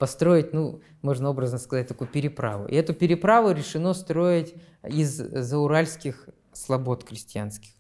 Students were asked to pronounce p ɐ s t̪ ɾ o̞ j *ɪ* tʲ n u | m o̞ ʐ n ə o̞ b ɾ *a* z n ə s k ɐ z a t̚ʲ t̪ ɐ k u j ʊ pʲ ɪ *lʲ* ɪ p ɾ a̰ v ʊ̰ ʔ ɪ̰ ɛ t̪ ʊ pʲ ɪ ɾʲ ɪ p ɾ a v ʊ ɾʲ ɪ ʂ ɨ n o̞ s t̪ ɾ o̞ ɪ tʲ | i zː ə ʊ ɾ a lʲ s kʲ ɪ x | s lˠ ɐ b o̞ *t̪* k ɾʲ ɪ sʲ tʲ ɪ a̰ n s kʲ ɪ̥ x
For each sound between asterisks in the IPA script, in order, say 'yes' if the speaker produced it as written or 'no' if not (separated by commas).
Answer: yes, no, no, yes